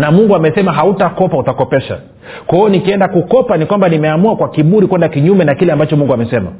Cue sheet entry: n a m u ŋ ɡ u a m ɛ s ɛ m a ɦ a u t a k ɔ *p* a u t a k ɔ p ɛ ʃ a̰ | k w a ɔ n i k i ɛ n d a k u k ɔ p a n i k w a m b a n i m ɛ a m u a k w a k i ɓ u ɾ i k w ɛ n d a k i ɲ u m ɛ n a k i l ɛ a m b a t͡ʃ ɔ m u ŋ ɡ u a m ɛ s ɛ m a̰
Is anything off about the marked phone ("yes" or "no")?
no